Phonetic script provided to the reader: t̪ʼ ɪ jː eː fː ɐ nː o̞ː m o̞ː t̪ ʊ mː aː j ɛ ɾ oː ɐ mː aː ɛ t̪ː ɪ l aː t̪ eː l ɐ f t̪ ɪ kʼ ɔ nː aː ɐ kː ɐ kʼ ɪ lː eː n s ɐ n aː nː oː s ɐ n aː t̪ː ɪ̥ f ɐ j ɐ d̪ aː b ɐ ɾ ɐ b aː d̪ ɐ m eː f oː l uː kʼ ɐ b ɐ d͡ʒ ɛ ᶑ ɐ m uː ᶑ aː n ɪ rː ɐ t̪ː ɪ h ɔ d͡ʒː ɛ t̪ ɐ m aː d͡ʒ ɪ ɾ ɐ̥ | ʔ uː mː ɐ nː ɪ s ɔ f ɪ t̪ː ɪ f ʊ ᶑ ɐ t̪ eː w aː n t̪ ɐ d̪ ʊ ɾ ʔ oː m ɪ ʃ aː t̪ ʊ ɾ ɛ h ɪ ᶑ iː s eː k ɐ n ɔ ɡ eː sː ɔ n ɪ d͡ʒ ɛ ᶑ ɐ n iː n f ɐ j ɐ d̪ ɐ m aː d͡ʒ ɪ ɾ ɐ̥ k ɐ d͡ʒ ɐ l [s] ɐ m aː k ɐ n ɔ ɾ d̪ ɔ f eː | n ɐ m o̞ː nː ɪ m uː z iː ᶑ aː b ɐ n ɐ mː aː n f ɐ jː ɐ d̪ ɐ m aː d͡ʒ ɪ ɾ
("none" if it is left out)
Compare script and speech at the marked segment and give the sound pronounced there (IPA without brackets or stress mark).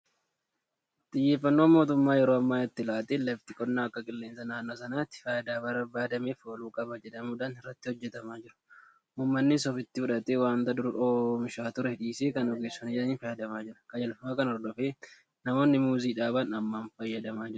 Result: f